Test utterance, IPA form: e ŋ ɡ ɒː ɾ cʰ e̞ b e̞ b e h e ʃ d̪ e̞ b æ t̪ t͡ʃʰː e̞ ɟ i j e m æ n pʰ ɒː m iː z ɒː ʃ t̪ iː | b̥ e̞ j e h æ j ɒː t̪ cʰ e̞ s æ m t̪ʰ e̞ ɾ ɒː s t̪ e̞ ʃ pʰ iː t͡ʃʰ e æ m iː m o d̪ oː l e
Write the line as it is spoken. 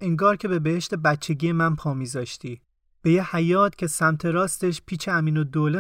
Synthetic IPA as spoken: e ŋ ɡ ɒː ɾ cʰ e̞ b e̞ b e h e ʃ t̪ e̞ b æ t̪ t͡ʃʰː e̞ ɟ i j e m æ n pʰ ɒː m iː z ɒː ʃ t̪ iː | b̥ e̞ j e h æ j ɒː t̪ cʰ e̞ s æ m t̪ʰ e̞ ɾ ɒː s t̪ e̞ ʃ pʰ iː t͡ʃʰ e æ m iː n o d̪ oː l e